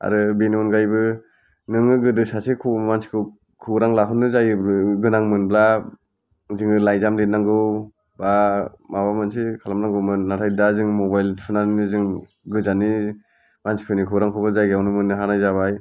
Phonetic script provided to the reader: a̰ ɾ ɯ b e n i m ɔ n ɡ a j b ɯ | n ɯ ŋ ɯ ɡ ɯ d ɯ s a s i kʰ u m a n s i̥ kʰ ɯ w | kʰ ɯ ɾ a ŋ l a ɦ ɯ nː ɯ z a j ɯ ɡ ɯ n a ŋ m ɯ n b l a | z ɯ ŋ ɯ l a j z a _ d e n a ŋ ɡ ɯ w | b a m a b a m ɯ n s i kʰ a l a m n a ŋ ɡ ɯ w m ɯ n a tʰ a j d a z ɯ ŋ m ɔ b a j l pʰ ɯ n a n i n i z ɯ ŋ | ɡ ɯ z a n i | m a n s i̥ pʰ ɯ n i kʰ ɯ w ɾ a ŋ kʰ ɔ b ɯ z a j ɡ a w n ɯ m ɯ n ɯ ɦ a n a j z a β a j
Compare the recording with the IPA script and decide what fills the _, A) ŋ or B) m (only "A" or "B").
B